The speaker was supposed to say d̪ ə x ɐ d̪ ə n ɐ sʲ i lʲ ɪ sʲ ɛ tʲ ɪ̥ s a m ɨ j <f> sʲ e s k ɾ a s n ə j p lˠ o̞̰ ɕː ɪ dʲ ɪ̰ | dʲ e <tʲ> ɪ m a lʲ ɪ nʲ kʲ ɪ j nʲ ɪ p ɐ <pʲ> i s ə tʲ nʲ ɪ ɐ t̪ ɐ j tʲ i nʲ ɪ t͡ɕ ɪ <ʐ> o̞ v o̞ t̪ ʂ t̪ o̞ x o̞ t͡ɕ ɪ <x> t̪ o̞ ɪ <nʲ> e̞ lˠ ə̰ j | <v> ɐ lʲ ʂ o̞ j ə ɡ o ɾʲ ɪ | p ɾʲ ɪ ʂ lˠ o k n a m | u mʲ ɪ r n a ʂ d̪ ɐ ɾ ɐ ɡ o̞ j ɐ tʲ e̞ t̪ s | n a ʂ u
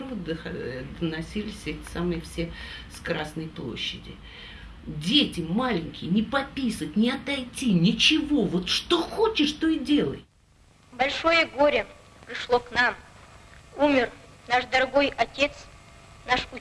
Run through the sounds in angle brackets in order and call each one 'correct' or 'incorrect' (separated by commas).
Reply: correct, correct, correct, incorrect, incorrect, incorrect, incorrect